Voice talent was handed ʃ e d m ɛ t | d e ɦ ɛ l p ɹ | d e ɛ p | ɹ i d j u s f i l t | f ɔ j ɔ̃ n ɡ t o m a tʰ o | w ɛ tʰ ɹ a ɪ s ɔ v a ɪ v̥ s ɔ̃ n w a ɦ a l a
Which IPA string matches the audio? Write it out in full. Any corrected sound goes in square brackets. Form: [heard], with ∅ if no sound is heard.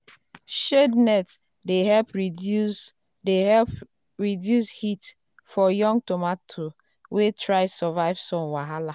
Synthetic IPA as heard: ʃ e d [n] ɛ t | d e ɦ ɛ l p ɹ | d e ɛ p | ɹ i d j u s [h] i [∅] t | f ɔ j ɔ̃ [ŋ] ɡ t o m a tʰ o | w [e] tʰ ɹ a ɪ s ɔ v a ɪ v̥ s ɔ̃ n w a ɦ a l a